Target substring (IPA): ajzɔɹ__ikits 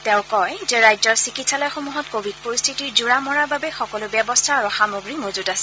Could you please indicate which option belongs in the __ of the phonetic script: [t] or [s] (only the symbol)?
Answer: s